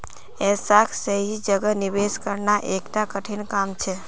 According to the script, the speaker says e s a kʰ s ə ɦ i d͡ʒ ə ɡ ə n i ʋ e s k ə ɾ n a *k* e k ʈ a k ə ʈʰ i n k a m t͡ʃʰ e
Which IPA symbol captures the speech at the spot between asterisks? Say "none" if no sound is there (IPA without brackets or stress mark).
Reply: ʔ